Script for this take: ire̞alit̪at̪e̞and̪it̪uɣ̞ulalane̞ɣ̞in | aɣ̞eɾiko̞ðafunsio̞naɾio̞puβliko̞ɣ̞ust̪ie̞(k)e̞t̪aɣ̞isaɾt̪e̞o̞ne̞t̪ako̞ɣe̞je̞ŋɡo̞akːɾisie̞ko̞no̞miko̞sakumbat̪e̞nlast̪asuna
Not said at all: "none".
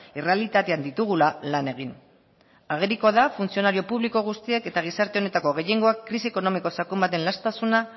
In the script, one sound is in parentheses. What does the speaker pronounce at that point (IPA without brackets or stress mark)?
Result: k